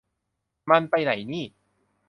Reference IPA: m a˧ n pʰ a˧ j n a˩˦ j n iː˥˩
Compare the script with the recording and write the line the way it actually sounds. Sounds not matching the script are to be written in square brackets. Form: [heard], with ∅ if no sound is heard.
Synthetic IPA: m a˧ n [p] a˧ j n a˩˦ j n iː˥˩